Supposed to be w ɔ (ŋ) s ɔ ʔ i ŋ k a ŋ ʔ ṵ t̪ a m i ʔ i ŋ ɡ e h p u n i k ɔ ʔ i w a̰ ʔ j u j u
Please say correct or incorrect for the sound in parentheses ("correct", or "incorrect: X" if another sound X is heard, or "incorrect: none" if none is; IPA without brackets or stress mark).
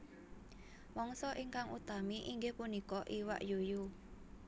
correct